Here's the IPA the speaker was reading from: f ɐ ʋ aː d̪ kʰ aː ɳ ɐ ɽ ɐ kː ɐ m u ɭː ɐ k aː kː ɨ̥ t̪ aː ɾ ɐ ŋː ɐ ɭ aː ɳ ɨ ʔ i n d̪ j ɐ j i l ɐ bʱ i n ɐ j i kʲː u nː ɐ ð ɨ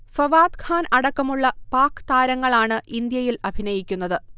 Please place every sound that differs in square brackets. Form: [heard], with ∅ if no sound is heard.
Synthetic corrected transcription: f ɐ ʋ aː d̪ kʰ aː [n] ɐ ɽ ɐ kː ɐ m u ɭː ɐ [p] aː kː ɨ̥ t̪ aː ɾ ɐ ŋː ɐ ɭ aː ɳ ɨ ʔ i n d̪ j ɐ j i l ɐ bʱ i n ɐ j i kʲː u nː ɐ ð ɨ